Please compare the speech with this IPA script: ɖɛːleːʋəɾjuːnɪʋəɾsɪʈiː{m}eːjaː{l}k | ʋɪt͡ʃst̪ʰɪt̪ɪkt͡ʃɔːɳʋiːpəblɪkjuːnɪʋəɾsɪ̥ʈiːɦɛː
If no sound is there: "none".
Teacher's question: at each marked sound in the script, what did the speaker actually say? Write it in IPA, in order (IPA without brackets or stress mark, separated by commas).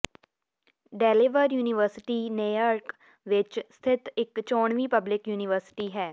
n, ɾ